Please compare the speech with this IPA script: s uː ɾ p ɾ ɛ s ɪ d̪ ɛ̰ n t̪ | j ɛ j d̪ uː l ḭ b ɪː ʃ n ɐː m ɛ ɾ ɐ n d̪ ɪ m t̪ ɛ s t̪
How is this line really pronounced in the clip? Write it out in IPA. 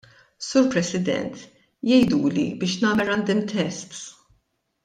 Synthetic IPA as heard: s uː ɾ p ɾ ɛ s ɪ d̪ ɛ̰ n t̪ | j ɛ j d̪ uː l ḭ b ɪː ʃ n ɐː m ɛ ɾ ɐ n d̪ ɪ m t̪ ɛ s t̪